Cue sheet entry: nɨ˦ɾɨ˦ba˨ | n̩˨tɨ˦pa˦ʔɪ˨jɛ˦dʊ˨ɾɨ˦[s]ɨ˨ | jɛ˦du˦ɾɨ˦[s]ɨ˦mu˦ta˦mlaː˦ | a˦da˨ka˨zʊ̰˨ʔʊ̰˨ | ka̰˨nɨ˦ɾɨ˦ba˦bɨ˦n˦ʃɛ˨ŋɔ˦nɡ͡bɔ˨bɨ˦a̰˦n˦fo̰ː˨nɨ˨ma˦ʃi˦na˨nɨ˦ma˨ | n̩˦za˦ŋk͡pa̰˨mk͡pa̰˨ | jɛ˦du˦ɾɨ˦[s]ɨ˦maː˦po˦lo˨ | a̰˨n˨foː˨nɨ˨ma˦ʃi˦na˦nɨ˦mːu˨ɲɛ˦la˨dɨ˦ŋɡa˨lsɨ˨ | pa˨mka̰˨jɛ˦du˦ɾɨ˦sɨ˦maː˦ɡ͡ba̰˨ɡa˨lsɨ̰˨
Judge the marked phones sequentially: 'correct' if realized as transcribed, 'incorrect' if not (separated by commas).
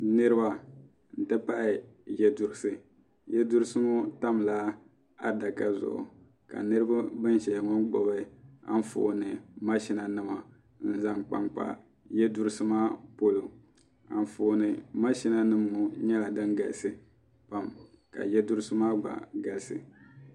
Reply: correct, correct, correct